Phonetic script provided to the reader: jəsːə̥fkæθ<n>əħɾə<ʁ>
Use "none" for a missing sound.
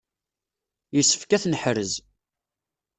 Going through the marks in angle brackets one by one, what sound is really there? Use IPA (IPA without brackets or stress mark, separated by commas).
n, z